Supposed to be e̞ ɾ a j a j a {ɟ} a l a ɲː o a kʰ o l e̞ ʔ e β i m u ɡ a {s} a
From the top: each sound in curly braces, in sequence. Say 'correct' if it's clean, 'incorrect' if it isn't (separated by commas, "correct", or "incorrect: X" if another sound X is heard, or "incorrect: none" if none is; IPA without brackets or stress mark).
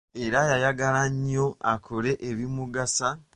incorrect: ɡ, correct